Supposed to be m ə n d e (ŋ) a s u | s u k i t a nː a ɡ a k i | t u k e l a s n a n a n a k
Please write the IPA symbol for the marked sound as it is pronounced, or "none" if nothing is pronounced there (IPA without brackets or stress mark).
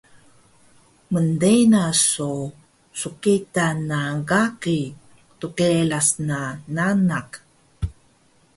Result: n